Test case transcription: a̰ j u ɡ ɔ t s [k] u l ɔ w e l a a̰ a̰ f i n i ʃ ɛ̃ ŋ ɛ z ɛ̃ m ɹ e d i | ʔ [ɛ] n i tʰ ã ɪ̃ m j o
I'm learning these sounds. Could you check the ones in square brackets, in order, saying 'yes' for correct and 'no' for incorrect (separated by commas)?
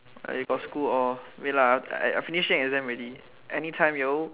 yes, yes